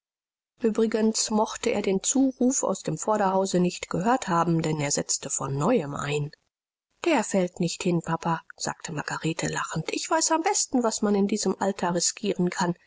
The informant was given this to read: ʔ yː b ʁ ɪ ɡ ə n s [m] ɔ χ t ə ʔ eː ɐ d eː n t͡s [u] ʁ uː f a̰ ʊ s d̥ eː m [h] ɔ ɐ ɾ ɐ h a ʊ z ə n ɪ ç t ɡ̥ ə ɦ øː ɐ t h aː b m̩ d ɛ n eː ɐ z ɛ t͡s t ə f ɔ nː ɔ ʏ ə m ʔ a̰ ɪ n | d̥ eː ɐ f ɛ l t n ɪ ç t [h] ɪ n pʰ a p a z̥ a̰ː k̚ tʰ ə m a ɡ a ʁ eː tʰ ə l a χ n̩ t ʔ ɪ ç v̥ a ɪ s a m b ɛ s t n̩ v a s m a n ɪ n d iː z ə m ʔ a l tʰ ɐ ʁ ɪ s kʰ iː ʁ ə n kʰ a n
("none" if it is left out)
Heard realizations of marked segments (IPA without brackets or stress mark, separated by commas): m, uː, f, h